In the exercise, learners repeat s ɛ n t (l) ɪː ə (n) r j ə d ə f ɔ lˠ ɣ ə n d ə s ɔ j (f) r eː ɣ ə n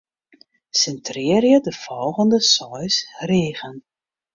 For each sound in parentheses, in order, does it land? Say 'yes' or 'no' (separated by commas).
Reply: no, no, no